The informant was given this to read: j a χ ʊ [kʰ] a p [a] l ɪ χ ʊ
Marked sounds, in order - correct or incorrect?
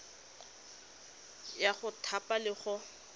incorrect: tʰ, correct

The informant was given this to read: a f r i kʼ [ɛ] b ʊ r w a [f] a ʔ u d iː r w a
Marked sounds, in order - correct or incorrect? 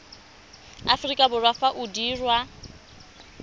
incorrect: a, correct

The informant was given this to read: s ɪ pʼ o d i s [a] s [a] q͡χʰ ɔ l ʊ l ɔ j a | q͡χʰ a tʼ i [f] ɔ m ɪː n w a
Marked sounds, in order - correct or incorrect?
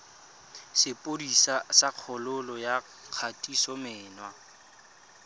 correct, correct, incorrect: s

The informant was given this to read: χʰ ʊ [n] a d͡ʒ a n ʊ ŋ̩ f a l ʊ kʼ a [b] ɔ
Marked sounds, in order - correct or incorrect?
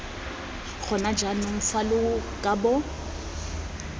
correct, correct

